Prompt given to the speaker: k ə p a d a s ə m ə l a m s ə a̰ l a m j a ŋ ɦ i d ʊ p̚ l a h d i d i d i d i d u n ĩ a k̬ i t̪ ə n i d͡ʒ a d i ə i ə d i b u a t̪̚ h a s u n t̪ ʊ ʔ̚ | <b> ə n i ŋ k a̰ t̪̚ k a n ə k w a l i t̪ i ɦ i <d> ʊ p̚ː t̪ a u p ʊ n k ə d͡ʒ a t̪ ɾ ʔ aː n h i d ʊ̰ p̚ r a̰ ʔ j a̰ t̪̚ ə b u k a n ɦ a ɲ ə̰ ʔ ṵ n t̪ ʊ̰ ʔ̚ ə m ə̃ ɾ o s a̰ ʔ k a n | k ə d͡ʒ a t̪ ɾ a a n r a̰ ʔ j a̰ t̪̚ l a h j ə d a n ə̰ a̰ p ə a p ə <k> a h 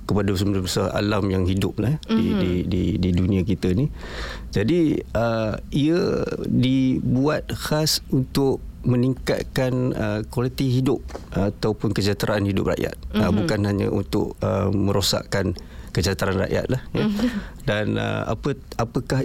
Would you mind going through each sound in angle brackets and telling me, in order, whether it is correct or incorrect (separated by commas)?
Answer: incorrect, correct, correct